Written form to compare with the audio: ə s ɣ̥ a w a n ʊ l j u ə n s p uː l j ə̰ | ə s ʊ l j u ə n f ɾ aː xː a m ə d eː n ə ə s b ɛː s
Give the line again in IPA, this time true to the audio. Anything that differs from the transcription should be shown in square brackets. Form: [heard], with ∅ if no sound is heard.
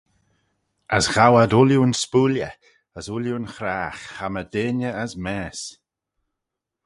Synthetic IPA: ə s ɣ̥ a w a [d] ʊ l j u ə n s p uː l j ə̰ | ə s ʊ l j u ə n [x] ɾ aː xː a m ə d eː n ə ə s [m] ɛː s

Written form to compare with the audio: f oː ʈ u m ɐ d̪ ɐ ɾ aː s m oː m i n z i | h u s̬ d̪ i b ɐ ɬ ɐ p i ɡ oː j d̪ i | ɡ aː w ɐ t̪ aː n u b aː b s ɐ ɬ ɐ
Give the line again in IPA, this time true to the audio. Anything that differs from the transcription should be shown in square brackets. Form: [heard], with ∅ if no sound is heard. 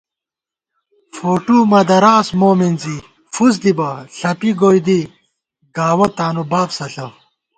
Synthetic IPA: f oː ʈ u m ɐ d̪ ɐ ɾ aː s m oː m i n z i | [f] u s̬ d̪ i b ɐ ɬ ɐ p i ɡ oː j d̪ i | ɡ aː w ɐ t̪ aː n u b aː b s ɐ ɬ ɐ

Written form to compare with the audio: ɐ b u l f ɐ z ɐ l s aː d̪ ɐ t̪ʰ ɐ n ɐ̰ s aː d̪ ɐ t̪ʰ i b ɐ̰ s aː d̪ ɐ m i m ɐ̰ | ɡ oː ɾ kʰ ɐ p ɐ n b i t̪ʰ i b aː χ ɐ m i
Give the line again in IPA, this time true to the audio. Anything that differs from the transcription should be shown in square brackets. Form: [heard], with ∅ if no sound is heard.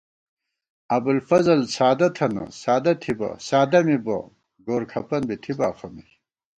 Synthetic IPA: ɐ b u l f ɐ z ɐ l s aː d̪ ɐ t̪ʰ ɐ n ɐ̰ s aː d̪ ɐ t̪ʰ i b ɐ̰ s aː d̪ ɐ m i [b] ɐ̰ | ɡ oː ɾ kʰ ɐ p ɐ n b i t̪ʰ i b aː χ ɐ m i

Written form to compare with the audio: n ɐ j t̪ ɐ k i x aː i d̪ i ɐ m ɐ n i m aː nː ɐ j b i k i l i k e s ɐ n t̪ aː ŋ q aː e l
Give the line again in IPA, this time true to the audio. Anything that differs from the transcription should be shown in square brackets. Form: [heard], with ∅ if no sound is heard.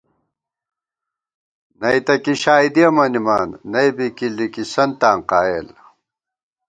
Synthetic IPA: n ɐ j t̪ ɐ k i [ɕ] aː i d̪ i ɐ m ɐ n i m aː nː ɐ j b i k i l i k [i] s ɐ n t̪ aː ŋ q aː e l

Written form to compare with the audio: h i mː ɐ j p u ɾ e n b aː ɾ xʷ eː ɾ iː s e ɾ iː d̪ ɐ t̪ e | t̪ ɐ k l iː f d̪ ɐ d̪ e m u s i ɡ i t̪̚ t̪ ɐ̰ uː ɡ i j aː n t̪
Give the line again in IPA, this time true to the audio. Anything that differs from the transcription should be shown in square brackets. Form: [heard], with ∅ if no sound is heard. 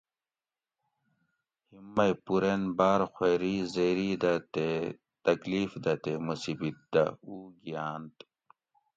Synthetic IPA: h i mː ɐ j p u ɾ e n b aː ɾ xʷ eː ɾ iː [z] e ɾ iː d̪ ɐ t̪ e | t̪ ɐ k l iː f d̪ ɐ [t̪] e m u s i [b] i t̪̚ [d̪] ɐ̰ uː ɡ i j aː n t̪

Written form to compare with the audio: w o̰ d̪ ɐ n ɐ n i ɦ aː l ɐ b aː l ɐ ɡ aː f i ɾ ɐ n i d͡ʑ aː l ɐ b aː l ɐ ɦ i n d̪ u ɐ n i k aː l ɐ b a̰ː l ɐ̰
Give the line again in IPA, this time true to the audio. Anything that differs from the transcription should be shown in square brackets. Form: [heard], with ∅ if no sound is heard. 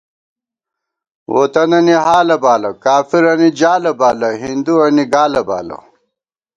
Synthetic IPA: w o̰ [t̪] ɐ n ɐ n i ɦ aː l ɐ b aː l ɐ [k] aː f i ɾ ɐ n i d͡ʑ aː l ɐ b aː l ɐ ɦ i n d̪ u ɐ n i [ɡ] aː l ɐ b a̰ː l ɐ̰

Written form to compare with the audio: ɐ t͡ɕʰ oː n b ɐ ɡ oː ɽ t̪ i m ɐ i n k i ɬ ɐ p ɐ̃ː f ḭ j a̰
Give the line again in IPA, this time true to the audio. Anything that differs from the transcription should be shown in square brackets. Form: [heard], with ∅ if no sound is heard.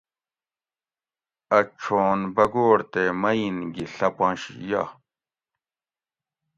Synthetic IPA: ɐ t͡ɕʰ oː n b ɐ ɡ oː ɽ t̪ [e] m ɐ i n [ɡ] i ɬ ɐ p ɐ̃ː [ɕ] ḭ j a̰

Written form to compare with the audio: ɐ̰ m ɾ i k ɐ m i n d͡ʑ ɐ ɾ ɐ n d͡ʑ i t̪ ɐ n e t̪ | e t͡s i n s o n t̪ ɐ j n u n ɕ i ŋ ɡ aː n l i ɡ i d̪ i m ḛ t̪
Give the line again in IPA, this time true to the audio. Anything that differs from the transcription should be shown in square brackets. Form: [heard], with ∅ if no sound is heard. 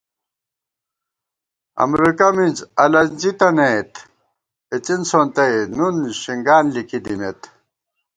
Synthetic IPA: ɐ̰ m ɾ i k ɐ m i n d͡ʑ ɐ [l] ɐ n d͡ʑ i t̪ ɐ n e t̪ | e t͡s i n s o n t̪ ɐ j n u n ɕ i ŋ ɡ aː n l i [k] i d̪ i m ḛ t̪

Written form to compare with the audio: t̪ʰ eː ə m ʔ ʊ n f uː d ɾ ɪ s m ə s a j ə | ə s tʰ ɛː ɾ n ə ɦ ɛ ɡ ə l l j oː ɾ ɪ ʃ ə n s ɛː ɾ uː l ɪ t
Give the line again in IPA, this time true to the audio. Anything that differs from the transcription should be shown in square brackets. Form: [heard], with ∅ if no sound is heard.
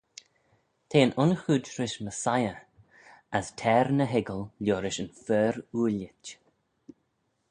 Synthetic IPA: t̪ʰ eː ə [n] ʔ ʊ n [x] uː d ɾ ɪ [ʃ] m ə s a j ə | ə s tʰ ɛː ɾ n ə ɦ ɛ ɡ ə l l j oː ɾ ɪ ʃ ə n [f] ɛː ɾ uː l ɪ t

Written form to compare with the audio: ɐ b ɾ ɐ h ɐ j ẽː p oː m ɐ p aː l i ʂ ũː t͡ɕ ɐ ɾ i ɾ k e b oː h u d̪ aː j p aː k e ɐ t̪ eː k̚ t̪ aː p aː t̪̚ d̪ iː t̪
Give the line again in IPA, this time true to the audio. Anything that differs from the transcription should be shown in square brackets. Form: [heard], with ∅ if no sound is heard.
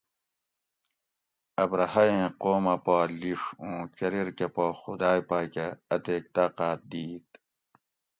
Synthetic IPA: ɐ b ɾ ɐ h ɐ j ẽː [q] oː m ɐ p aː l i ʂ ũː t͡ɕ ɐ ɾ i ɾ k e [p] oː [x] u d̪ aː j p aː k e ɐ t̪ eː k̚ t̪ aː [q] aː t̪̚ d̪ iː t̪

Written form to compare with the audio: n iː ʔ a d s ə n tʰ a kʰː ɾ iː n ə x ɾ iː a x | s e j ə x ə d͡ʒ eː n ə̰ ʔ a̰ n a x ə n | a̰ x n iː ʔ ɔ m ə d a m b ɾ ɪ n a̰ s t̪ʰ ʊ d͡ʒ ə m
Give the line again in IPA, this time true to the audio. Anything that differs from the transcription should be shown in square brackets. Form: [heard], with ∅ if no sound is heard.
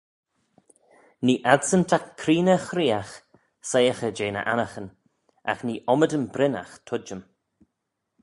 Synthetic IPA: n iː ʔ a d s ə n tʰ a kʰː ɾ iː n ə x ɾ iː a x | s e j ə x ə d͡ʒ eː n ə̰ ʔ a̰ n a x ə n | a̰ x n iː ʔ ɔ m ə d [ə] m b ɾ ɪ n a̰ [x] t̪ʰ ʊ d͡ʒ ə m

